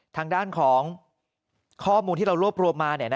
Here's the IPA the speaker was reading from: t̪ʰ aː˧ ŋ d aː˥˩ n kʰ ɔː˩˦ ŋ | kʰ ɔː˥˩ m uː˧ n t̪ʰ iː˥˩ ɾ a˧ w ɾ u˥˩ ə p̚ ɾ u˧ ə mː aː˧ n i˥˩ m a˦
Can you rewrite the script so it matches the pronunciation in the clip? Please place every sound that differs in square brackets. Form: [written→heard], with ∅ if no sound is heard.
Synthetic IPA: t̪ʰ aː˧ ŋ d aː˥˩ n kʰ ɔː˩˦ ŋ | kʰ ɔː˥˩ m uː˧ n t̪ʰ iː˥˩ ɾ a˧ w ɾ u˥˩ ə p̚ ɾ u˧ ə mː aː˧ n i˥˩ [m→n] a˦